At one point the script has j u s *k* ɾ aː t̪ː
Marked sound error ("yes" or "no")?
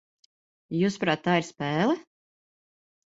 yes